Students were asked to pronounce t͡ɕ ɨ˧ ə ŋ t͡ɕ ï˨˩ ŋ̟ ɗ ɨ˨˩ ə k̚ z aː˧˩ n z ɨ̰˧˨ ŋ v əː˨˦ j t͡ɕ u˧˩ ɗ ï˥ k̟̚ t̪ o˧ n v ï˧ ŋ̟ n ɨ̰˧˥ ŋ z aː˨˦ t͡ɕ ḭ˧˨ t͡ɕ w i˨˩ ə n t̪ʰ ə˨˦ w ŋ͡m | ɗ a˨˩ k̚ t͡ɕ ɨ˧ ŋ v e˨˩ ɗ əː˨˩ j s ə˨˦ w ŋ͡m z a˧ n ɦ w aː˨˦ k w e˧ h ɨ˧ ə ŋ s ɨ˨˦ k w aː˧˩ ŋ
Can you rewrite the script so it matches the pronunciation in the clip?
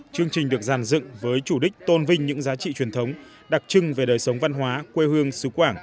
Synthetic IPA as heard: t͡ɕ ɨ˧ ə ŋ t͡ɕ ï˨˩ ŋ̟ ɗ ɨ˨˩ ə k̚ z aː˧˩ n z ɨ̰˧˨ ŋ v əː˨˦ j t͡ɕ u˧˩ ɗ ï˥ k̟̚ t̪ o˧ n v ï˧ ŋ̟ ɲ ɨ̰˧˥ ŋ z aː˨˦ t͡ɕ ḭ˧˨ t͡ɕ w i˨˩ ə n t̪ʰ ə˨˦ w ŋ͡m | ɗ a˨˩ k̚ t͡ɕ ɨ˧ ŋ v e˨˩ ɗ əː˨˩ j s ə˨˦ w ŋ͡m v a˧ n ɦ w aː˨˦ k w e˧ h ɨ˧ ə ŋ s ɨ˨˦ k w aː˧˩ ŋ